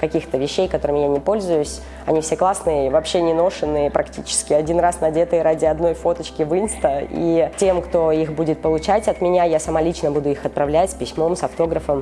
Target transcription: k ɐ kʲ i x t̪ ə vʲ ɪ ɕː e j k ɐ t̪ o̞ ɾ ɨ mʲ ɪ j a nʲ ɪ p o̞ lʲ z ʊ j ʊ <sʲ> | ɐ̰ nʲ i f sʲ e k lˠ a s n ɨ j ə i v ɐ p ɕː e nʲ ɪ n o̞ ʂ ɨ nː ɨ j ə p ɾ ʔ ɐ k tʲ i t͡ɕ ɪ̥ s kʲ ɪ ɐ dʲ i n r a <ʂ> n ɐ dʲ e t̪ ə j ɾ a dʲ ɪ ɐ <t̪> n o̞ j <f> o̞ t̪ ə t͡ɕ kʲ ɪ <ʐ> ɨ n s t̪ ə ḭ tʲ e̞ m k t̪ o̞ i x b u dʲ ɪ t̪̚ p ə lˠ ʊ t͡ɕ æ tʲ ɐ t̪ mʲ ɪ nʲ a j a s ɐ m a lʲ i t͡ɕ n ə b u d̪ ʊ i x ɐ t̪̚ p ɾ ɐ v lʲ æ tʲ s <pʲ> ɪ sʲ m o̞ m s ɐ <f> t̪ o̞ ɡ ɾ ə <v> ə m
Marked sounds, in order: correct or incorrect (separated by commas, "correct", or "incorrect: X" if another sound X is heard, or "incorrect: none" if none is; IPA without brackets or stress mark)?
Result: correct, incorrect: s, incorrect: d̪, correct, incorrect: v, correct, correct, incorrect: f